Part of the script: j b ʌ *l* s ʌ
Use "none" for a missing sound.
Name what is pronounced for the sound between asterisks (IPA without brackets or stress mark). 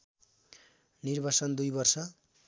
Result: r